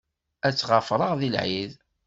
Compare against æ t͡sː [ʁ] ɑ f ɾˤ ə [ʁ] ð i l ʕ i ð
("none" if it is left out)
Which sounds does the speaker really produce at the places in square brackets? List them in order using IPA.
ʁ, ʁ

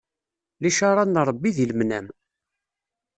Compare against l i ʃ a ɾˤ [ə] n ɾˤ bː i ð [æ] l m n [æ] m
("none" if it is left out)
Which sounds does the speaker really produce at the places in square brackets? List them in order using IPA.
ɑ, i, æ

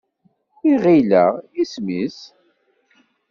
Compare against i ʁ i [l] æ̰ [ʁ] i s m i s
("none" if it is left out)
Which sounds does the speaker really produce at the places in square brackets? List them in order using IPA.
l, ʁ

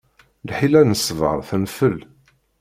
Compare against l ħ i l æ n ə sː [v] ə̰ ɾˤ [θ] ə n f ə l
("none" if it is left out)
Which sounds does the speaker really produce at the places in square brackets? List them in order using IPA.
v, θ

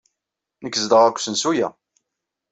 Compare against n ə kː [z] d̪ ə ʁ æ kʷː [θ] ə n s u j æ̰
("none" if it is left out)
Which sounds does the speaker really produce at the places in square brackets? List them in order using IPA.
z, s

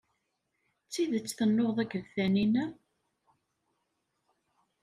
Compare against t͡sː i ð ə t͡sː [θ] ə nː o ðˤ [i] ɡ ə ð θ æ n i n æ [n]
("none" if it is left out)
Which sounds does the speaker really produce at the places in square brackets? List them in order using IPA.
θ, æ, none

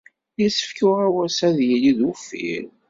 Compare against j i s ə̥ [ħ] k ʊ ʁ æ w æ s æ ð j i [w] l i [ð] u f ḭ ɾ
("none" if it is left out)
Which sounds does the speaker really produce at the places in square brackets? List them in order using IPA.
f, none, ð

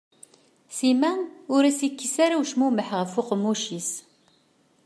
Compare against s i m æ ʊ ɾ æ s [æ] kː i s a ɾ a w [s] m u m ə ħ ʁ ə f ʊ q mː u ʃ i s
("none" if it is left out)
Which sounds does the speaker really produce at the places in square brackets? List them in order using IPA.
i, ʃ

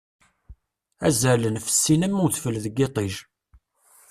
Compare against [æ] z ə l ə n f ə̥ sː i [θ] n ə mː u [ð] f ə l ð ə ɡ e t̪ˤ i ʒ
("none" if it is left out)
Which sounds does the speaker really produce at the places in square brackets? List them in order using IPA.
æ, none, θ

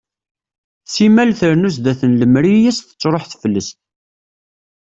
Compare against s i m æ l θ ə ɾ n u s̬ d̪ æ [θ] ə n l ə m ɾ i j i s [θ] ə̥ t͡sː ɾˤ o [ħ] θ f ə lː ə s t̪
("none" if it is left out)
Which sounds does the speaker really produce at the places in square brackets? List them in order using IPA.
θ, θ, ħ

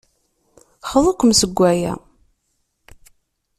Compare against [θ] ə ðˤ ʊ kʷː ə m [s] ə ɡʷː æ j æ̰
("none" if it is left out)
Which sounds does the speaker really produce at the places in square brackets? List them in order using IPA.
χ, s

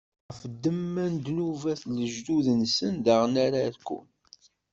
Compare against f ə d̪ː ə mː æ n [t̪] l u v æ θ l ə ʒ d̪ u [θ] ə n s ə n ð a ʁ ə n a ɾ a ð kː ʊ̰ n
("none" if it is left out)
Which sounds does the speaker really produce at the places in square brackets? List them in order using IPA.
d̪, ð

